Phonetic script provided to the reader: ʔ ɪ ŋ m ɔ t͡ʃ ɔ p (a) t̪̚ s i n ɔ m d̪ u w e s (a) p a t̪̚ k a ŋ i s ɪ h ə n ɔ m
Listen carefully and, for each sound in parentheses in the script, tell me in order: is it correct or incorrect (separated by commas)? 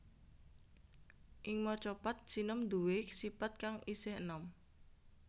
correct, incorrect